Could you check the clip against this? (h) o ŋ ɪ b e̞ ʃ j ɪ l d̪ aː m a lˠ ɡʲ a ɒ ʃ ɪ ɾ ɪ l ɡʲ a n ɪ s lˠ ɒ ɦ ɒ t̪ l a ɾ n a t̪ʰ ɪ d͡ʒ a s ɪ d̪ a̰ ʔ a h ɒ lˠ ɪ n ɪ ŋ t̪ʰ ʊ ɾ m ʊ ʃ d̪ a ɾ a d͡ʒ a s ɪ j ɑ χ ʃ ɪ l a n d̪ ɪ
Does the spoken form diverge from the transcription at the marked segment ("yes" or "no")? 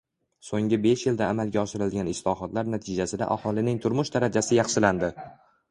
yes